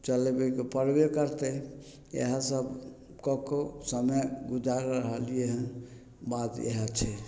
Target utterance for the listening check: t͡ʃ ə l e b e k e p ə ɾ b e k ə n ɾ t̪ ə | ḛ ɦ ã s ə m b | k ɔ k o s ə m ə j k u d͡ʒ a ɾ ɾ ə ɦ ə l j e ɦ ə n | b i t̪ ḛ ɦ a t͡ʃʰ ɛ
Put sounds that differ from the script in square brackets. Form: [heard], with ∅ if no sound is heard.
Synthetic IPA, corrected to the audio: t͡ʃ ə l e b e k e p ə ɾ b e k ə [∅] ɾ t̪ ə | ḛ ɦ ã s ə [∅] b | k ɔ k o s ə m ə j [ɡ] u d͡ʒ a ɾ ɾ ə ɦ ə l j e ɦ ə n | b [a] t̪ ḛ ɦ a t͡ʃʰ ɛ